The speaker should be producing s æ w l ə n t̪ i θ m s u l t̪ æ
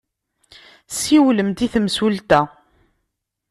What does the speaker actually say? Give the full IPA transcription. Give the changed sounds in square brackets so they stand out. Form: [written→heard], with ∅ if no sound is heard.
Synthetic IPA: s [æ→i] w l ə [n→m] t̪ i θ m s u l t̪ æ